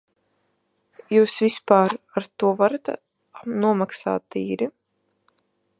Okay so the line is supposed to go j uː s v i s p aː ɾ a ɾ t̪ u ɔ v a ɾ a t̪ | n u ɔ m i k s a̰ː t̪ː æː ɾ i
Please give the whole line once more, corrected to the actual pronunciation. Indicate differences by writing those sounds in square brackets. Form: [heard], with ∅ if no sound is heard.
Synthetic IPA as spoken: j uː s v i s p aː ɾ a ɾ t̪ u ɔ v a ɾ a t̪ | n u ɔ m [a] k s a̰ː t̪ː [iː] ɾ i